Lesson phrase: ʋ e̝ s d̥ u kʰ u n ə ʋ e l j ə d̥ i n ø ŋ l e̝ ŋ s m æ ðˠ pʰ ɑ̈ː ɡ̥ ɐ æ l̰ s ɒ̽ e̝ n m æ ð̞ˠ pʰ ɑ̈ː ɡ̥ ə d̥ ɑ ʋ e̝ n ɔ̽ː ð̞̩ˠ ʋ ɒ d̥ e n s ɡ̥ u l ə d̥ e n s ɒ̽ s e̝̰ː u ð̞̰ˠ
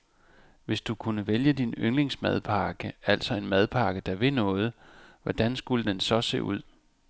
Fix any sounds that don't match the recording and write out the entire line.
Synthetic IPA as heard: ʋ e̝ s d̥ u kʰ u n ə ʋ e l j ə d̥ i n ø ŋ l e̝ ŋ s m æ ðˠ pʰ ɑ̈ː ɡ̥ ə æ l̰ s ɒ̽ e̝ n m æ ð̞ˠ pʰ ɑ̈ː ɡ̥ ə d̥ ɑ ʋ e̝ n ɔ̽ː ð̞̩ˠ ʋ ɒ d̥ æ n s ɡ̥ u l ə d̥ e n s ɒ̽ s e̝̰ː u ð̞̰ˠ